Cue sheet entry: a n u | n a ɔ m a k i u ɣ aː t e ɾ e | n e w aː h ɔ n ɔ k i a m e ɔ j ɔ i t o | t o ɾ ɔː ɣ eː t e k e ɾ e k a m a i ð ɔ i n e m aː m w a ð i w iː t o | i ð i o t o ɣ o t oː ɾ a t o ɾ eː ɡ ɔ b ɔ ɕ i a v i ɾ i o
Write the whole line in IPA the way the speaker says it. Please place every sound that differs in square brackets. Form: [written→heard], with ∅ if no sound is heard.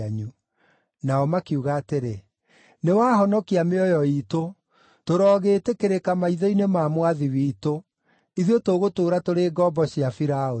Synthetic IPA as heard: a [n→ɲ] u | n a ɔ m a k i u ɣ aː t e ɾ e | n e w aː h ɔ n ɔ k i a m e ɔ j ɔ i t o | t o ɾ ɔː ɣ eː t e k e ɾ e k a m a i ð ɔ i n e m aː m w a ð i w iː t o | i ð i o t o ɣ o t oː ɾ a t o ɾ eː ɡ ɔ b ɔ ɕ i a [v→f] i ɾ [i→a] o